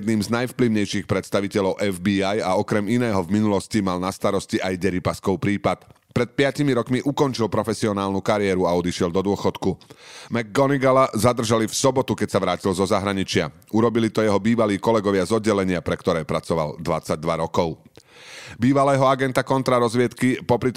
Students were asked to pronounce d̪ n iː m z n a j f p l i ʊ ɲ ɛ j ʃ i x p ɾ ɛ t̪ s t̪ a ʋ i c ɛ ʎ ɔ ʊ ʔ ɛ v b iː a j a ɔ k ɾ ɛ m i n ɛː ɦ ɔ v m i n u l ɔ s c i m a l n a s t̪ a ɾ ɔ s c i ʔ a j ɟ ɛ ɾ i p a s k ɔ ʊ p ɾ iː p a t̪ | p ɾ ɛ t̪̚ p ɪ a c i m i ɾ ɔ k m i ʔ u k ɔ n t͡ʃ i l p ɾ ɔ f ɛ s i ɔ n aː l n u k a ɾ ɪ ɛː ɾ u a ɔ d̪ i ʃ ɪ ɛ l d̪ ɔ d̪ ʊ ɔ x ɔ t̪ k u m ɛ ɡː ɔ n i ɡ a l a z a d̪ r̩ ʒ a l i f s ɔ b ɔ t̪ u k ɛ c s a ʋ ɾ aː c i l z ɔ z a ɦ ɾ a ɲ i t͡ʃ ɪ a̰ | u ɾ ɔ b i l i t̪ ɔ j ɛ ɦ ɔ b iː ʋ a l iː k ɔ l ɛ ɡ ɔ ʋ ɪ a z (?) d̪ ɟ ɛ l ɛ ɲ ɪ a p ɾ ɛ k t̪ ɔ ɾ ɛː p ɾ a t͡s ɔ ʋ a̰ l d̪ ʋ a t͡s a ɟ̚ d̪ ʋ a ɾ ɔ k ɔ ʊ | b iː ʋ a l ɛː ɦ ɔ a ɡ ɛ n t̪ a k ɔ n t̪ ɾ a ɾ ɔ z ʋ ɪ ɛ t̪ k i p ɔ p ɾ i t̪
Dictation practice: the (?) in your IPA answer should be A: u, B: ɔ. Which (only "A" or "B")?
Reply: B